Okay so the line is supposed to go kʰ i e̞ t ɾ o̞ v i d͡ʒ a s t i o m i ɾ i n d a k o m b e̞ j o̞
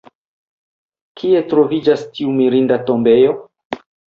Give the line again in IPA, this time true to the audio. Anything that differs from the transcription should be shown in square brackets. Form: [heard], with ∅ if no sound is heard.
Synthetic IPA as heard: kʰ i e̞ t ɾ o̞ v i d͡ʒ a s t i [u] m i ɾ i n d a [t] o m b e̞ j o̞